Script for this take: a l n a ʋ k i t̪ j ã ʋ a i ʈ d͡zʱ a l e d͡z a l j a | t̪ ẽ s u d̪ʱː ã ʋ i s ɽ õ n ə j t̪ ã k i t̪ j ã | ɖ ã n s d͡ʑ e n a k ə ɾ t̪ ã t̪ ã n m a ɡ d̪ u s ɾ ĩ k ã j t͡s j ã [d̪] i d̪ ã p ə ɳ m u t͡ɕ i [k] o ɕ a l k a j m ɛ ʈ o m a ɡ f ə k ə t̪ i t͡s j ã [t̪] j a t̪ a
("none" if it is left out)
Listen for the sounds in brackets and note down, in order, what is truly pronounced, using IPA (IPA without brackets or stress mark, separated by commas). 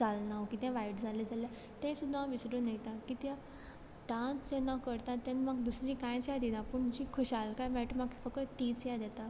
d̪, kʰ, d̪